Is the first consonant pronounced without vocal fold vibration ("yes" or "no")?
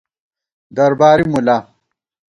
no